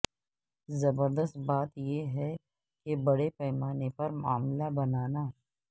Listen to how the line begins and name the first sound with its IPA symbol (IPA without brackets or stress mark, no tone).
z